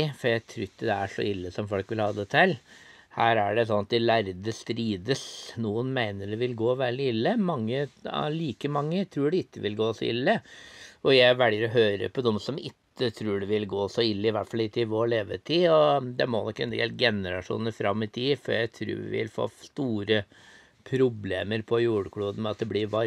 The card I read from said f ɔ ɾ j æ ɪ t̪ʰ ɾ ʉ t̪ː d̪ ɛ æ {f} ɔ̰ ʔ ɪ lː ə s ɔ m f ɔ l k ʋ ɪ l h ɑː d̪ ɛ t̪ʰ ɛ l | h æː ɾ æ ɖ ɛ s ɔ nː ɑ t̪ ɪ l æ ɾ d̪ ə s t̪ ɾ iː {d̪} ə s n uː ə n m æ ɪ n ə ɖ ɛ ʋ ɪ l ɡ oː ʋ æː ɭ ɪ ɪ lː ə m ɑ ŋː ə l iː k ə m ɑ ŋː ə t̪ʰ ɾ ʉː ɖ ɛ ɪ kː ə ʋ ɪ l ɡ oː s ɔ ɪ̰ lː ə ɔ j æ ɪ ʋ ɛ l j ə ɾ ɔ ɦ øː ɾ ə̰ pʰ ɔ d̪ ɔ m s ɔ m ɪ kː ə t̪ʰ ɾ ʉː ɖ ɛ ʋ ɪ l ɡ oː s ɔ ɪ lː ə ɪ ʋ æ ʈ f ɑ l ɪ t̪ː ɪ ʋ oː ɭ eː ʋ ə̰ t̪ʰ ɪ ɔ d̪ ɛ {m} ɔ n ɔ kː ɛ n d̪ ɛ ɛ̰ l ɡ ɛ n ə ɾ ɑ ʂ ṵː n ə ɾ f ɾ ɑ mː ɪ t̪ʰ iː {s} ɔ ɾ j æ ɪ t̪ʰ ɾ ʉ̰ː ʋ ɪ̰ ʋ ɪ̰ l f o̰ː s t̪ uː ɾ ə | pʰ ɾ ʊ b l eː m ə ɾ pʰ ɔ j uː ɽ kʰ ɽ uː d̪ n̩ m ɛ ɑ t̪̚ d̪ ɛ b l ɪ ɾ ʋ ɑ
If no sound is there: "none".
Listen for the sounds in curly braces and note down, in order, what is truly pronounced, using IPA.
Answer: ʂ, d̪, m, f

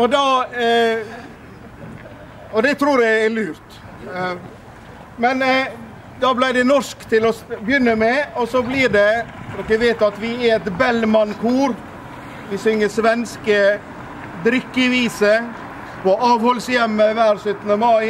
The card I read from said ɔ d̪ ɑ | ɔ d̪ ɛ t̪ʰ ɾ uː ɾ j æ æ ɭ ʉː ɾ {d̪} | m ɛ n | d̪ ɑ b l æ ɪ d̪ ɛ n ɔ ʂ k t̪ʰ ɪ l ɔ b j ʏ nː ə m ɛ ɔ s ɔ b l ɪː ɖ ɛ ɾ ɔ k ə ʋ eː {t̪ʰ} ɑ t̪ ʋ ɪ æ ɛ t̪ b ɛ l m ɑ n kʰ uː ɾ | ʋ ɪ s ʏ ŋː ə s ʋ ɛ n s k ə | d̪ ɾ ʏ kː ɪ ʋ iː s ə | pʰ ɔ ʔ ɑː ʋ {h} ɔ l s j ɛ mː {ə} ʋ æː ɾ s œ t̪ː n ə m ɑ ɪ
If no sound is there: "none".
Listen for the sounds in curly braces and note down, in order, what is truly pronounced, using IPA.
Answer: t̪, t̪, h, ə

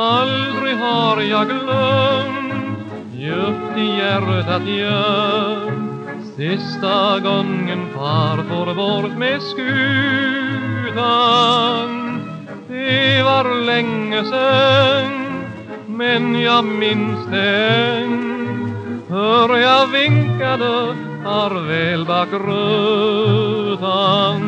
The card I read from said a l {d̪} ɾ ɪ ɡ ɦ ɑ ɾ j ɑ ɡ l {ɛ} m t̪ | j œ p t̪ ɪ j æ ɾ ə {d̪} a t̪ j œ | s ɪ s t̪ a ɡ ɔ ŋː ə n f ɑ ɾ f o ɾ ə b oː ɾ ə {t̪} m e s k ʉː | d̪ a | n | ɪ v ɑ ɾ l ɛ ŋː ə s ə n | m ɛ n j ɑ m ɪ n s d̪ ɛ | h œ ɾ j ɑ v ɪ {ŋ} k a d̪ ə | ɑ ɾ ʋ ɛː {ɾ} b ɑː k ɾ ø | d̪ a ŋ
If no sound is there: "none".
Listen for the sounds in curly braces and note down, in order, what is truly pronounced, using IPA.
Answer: d̪, œ, t̪, t̪, ŋ, l

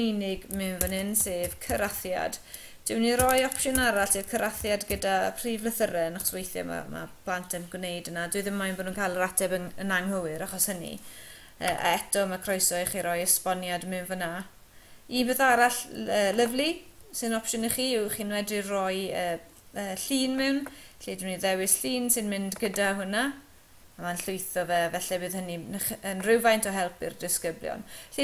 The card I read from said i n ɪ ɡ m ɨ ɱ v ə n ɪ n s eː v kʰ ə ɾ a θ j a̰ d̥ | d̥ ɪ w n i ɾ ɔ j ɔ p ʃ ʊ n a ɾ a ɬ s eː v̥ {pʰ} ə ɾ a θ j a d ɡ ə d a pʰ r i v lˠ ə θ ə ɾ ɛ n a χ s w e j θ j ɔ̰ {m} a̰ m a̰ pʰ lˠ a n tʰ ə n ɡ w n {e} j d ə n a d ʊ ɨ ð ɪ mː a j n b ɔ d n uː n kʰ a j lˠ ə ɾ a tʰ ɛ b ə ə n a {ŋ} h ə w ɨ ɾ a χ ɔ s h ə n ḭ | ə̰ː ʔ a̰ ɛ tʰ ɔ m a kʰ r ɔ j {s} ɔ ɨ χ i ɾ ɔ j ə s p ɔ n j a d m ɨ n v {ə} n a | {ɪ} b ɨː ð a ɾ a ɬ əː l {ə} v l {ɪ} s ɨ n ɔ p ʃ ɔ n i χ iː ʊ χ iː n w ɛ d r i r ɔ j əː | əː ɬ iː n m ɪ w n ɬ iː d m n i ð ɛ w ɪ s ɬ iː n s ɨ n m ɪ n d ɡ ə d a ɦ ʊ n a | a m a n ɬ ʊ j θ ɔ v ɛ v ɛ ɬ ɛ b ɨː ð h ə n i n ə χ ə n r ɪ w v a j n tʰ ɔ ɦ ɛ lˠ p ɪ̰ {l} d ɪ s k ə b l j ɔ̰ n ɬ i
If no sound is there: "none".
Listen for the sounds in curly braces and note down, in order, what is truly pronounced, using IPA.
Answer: kʰ, m, e, ŋ, s, ə, i, ə, i, r

